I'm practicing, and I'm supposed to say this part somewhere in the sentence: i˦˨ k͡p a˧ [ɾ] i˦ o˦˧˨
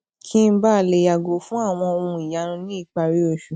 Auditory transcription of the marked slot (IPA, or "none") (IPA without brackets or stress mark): ɾ